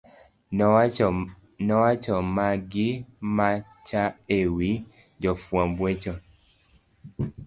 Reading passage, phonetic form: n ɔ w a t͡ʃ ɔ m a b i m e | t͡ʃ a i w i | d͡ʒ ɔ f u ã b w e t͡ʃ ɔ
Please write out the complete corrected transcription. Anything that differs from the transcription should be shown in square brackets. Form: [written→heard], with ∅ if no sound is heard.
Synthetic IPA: n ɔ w a t͡ʃ ɔ m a [b→ɡ] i m [e→a] | t͡ʃ a [i→e] w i | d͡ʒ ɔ f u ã b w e t͡ʃ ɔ